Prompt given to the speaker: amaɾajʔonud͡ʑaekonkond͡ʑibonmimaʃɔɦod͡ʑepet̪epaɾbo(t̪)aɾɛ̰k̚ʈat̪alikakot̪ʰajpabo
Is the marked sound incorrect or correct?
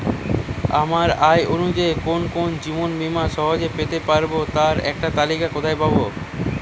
correct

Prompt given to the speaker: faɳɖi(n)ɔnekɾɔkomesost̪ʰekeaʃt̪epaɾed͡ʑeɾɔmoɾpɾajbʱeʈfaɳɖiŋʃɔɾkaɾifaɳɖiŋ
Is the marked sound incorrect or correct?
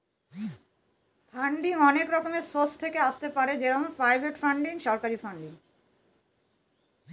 incorrect: ŋ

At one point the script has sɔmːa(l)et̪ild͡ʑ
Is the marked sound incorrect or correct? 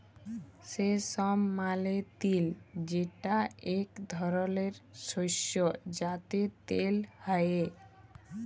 correct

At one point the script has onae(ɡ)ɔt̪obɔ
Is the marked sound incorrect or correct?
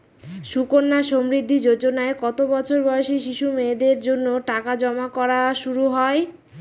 incorrect: k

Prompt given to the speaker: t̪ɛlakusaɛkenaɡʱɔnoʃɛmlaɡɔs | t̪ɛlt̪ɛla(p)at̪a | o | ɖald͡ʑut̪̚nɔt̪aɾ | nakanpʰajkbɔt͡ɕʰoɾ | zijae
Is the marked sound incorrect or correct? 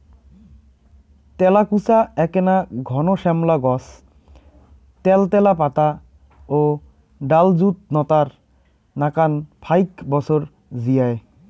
correct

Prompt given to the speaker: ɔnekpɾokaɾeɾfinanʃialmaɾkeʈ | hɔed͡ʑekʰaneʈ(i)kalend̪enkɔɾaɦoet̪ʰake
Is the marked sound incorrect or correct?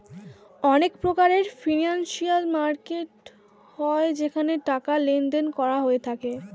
incorrect: a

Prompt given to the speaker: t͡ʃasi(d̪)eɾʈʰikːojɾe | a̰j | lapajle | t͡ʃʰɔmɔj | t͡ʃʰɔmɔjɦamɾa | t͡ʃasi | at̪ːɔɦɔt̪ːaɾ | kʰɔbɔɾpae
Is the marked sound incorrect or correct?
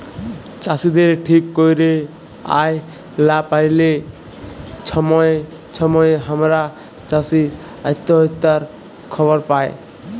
correct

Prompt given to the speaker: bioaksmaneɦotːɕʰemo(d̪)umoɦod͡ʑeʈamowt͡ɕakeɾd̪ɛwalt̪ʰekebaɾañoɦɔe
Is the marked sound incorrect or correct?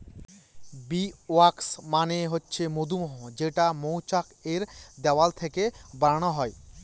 correct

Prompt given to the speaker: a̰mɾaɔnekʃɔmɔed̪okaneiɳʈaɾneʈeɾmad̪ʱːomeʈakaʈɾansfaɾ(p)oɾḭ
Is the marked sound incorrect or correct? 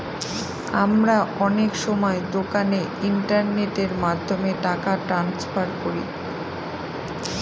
incorrect: k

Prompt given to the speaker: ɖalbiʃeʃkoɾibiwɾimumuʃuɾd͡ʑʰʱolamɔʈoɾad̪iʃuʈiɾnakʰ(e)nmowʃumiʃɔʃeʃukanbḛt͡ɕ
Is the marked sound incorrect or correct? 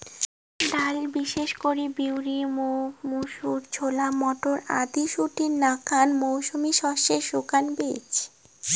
incorrect: a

